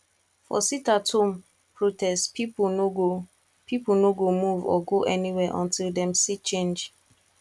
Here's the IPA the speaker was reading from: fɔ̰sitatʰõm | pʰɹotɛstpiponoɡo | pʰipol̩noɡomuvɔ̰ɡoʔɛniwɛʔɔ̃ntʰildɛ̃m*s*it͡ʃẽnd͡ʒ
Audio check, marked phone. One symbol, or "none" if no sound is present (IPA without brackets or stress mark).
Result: s